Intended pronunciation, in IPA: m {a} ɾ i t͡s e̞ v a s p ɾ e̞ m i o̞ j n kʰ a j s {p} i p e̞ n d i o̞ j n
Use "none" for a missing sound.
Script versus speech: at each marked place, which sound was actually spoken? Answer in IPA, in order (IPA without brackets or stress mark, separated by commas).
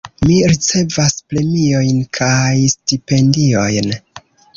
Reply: i, t